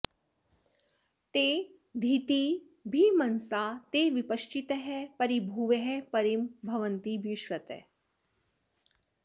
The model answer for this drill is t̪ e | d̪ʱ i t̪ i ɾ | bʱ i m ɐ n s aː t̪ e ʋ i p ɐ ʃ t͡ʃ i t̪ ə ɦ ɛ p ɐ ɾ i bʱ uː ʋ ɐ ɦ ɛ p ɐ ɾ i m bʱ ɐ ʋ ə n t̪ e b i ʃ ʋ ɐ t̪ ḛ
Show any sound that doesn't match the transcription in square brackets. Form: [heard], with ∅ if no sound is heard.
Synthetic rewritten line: t̪ e | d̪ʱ i t̪ i [∅] | bʱ i m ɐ n s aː t̪ e ʋ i p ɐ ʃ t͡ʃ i t̪ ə ɦ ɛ p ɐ ɾ i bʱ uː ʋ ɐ ɦ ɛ p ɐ ɾ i m bʱ ɐ ʋ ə n t̪ [i] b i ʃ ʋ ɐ t̪ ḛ

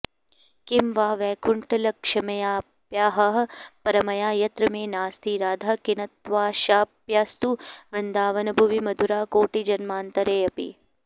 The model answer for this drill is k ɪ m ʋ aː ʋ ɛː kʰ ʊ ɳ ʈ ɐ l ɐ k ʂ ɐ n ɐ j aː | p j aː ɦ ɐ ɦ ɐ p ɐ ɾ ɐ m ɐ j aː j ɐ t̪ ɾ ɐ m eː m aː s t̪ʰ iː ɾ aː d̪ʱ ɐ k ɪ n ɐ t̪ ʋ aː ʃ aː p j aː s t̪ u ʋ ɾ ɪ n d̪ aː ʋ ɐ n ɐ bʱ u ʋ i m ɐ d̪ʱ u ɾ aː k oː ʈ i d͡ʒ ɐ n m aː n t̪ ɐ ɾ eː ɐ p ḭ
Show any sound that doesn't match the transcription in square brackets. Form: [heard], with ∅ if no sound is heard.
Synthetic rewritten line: k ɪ m ʋ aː ʋ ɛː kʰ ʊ ɳ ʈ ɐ l ɐ k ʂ ɐ [m] ɐ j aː | p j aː ɦ ɐ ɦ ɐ p ɐ ɾ ɐ m ɐ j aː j ɐ t̪ ɾ ɐ m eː [n] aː s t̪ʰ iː ɾ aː d̪ʱ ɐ k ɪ n ɐ t̪ ʋ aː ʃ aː p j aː s t̪ u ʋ ɾ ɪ n d̪ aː ʋ ɐ n ɐ bʱ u ʋ i m ɐ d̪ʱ u ɾ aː k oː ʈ i d͡ʒ ɐ n m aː n t̪ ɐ ɾ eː ɐ p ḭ

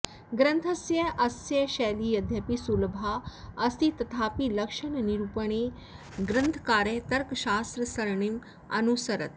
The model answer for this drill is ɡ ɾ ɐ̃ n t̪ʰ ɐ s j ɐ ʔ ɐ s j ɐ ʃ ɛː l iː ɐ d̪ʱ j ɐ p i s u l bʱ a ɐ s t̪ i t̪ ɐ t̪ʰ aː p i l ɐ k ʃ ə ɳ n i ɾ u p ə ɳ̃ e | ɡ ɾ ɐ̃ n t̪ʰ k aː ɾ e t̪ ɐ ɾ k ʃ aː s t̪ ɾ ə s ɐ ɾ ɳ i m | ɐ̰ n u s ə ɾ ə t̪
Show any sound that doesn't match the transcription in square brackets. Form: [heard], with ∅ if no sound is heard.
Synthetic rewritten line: ɡ ɾ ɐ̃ n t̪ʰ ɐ s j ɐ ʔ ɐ s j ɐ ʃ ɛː l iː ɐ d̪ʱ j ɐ p i s u l bʱ a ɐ s t̪ i t̪ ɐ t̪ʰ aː p i l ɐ k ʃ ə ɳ n i ɾ u p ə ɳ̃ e | ɡ ɾ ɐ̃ n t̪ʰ k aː ɾ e t̪ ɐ ɾ k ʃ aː s t̪ ɾ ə s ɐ ɾ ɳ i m | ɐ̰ n u s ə ɾ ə t̪

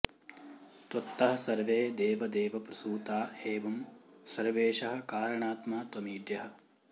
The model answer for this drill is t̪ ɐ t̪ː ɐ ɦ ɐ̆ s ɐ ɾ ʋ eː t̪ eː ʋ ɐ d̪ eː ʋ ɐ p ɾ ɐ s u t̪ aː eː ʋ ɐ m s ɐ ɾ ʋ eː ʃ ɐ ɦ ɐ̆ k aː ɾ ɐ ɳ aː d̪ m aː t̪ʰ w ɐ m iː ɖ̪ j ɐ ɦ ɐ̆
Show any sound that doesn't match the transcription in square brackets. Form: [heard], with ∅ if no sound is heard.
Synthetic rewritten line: t̪ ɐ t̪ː ɐ ɦ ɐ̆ s ɐ ɾ ʋ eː [d̪] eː ʋ ɐ d̪ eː ʋ ɐ p ɾ ɐ s [uː] t̪ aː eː ʋ ɐ m s ɐ ɾ ʋ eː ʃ ɐ ɦ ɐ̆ k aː ɾ ɐ ɳ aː [t̪] m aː [t̪] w ɐ m iː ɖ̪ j ɐ ɦ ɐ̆

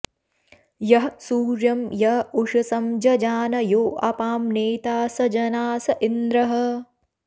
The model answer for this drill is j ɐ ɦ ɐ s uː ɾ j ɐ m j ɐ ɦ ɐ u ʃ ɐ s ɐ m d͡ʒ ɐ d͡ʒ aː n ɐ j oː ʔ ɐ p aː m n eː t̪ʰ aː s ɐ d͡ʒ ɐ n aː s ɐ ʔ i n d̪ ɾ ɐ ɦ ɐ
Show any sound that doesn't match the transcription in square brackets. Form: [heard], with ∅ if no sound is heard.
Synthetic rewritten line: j ɐ ɦ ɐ s uː ɾ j ɐ m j ɐ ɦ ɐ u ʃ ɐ s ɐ m d͡ʒ ɐ d͡ʒ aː n ɐ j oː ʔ ɐ p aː m n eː [t̪] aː s ɐ d͡ʒ ɐ n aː s ɐ ʔ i n d̪ ɾ ɐ ɦ ɐ

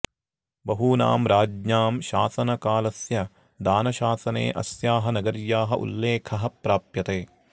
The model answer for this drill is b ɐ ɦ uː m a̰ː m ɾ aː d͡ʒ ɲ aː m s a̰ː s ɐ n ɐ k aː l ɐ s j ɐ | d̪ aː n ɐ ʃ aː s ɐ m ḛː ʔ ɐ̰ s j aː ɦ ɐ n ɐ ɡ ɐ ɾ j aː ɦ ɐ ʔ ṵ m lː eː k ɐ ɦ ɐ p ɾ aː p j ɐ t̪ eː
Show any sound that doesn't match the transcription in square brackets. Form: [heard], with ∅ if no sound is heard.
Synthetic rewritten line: b ɐ ɦ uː [n] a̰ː m ɾ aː d͡ʒ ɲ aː m [ʃ] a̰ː s ɐ n ɐ k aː l ɐ s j ɐ | d̪ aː n ɐ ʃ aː s ɐ [n] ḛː ʔ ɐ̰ s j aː ɦ ɐ n ɐ ɡ ɐ ɾ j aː ɦ ɐ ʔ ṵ [∅] lː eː [kʰ] ɐ ɦ ɐ p ɾ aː p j ɐ t̪ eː

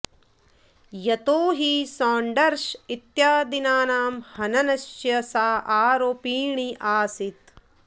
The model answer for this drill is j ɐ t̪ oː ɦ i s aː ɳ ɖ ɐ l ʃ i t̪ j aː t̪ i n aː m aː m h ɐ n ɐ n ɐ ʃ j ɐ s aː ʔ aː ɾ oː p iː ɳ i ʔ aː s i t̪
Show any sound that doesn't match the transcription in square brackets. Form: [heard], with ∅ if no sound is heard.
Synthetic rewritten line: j ɐ t̪ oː ɦ i s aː ɳ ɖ ɐ [ɾ] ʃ i t̪ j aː [d̪] i n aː [n] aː m h ɐ n ɐ n ɐ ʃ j ɐ s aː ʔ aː ɾ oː p iː ɳ i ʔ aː s i t̪

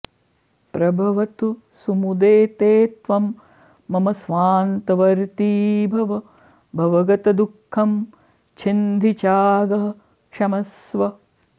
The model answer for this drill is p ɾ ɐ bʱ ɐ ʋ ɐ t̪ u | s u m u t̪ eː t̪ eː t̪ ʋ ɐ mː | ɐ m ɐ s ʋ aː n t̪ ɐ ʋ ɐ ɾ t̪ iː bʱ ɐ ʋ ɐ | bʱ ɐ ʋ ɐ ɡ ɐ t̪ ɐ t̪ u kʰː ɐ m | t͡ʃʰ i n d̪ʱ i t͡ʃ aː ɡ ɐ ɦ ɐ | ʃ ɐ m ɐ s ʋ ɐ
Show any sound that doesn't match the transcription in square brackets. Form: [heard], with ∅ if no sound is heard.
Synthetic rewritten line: p ɾ ɐ bʱ ɐ ʋ ɐ t̪ u | s u m u [d̪] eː t̪ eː t̪ ʋ ɐ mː | ɐ m ɐ s ʋ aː n t̪ ɐ ʋ ɐ ɾ t̪ iː bʱ ɐ ʋ ɐ | bʱ ɐ ʋ ɐ ɡ ɐ t̪ ɐ [d̪] u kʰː ɐ m | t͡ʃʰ i n d̪ʱ i t͡ʃ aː ɡ ɐ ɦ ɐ | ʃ ɐ m ɐ s ʋ ɐ

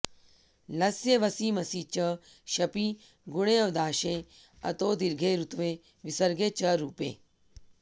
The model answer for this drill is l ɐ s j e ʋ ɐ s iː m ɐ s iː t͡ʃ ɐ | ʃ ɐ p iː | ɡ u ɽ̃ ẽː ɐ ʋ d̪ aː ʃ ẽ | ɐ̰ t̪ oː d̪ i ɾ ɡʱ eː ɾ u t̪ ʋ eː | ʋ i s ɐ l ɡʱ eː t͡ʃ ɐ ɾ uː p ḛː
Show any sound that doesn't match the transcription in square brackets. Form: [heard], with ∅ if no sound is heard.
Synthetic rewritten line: l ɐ s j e ʋ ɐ s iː m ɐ s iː t͡ʃ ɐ | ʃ ɐ p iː | ɡ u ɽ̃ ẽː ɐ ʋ d̪ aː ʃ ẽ | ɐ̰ t̪ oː d̪ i ɾ ɡʱ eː ɾ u t̪ ʋ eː | ʋ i s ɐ [ɾ] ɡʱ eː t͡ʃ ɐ ɾ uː p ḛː

